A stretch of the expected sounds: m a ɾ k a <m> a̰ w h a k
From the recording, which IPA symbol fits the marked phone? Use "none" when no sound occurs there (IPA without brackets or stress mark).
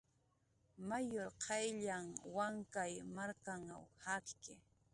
ŋ